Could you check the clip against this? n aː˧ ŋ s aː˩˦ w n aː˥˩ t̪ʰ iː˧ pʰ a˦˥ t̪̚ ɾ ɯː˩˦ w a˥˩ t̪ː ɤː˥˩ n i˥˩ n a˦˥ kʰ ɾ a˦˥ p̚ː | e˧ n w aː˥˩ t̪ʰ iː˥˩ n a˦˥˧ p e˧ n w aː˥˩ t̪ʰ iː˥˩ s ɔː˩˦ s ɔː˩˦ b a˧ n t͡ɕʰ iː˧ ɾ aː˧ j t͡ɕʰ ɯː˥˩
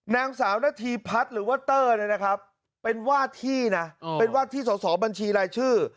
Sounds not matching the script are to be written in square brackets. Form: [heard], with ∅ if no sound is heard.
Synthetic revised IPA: n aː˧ ŋ s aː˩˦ w n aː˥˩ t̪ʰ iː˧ pʰ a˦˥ t̪̚ ɾ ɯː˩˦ w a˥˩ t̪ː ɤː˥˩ n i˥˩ n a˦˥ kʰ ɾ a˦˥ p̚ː | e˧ n w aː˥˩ t̪ʰ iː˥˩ n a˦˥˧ p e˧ n w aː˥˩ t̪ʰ iː˥˩ s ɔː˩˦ s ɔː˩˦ b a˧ n t͡ɕʰ iː˧ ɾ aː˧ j t͡ɕʰ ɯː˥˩